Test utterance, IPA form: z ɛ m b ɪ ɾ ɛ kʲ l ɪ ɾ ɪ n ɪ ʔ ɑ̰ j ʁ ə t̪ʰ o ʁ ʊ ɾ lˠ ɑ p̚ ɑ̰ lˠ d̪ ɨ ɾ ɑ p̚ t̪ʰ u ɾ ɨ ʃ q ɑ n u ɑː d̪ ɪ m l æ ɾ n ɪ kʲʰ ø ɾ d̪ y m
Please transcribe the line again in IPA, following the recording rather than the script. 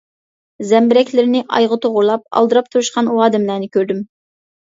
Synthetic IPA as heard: z ɛ m b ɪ ɾ ɛ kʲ l ɪ ɾ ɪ n ɪ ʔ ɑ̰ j ʁ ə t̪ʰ o ʁ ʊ ɾ lˠ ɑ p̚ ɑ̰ lˠ d̪ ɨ ɾ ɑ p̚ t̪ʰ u ɾ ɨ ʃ q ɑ n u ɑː d̪ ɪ m l æ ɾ n ɪ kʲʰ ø ɾ d̪ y m